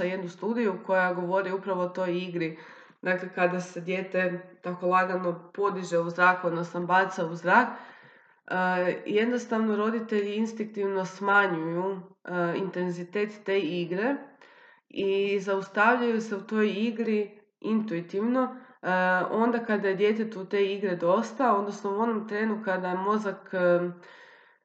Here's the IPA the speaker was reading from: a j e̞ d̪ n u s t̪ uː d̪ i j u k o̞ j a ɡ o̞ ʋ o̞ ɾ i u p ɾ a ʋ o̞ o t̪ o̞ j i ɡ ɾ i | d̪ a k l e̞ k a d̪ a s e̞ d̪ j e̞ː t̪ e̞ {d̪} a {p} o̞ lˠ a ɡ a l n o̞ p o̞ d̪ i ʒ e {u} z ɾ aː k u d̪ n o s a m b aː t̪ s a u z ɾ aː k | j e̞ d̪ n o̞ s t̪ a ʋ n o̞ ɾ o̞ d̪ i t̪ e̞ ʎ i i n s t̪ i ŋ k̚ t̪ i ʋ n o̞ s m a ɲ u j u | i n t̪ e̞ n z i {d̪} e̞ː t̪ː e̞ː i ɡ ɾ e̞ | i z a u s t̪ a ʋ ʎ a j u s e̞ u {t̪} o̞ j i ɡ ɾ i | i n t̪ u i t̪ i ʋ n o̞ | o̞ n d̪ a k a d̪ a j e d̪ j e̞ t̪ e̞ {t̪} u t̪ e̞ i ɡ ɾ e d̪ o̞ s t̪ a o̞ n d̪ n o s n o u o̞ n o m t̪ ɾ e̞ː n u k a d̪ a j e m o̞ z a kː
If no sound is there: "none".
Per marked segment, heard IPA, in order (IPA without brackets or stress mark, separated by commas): t̪, k, u, t̪, t̪, t̪